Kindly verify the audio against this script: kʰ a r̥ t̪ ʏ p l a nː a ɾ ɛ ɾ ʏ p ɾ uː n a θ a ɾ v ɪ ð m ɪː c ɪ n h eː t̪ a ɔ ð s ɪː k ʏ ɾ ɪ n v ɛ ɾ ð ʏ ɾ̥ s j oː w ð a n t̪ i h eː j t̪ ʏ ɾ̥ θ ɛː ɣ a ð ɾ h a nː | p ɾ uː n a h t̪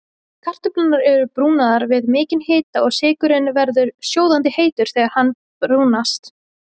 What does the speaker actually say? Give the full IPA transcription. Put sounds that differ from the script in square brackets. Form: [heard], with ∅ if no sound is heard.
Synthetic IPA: kʰ a r̥ t̪ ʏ p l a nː a ɾ ɛ ɾ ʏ p ɾ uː n a [ð] a ɾ v ɪ ð m ɪː c ɪ n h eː t̪ a ɔ [ɣ] s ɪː k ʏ ɾ ɪ n v ɛ ɾ ð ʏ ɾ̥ s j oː w ð a n t̪ [ɪ] h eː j t̪ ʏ ɾ̥ θ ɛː ɣ a [∅] ɾ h a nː | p ɾ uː n a [s] t̪